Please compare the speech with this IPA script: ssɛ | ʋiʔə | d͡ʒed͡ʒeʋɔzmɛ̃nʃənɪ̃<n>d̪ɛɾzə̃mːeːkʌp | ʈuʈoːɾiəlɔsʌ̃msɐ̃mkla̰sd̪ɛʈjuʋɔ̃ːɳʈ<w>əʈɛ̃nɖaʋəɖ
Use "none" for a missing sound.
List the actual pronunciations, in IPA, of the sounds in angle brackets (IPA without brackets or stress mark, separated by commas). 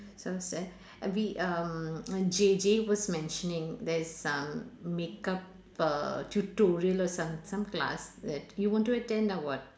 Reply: ŋ, u